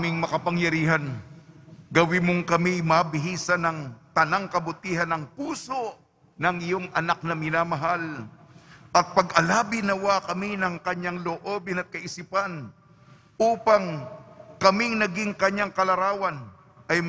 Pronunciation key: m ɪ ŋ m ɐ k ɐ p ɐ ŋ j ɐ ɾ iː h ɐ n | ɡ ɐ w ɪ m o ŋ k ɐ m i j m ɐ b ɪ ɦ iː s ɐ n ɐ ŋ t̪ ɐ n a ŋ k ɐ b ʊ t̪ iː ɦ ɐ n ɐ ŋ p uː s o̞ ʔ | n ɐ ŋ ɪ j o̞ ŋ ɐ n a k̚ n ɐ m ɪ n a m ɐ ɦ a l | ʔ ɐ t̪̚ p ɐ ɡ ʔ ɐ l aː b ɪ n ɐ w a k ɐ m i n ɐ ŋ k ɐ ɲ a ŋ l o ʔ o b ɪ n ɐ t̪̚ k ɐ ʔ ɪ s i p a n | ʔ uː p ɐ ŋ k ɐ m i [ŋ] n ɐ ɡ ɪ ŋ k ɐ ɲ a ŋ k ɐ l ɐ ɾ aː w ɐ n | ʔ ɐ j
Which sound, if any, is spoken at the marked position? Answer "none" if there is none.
ŋ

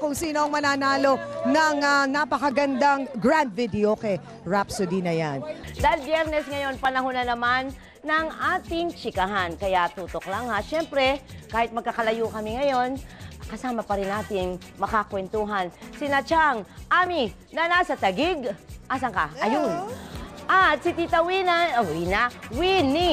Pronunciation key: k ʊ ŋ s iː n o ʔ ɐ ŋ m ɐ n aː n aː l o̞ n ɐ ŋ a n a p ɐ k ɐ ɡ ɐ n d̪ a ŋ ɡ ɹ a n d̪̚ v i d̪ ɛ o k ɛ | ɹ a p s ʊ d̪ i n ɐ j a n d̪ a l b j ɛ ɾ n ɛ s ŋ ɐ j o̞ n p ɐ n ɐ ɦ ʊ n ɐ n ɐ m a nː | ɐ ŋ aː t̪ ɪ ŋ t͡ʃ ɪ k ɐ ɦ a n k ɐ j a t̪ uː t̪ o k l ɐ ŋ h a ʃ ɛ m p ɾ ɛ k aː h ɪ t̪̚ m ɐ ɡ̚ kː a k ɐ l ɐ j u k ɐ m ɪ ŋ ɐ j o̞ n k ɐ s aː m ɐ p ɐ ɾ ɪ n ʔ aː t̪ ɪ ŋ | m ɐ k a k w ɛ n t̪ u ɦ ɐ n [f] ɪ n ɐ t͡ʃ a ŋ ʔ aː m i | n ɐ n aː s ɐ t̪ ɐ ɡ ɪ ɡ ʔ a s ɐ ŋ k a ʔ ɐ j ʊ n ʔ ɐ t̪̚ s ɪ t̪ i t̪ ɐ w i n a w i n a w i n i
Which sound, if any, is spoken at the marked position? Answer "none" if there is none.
s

